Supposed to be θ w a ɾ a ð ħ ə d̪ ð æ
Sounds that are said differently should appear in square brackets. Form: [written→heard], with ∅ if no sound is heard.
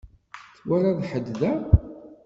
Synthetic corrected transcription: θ w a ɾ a ð ħ ə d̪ ð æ